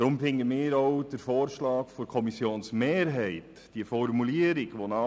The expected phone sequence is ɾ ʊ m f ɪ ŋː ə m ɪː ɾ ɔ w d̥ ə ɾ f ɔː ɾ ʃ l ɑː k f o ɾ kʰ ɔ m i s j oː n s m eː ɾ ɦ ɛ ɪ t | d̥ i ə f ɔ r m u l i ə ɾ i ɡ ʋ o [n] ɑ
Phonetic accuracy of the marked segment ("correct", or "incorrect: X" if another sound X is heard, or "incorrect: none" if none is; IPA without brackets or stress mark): correct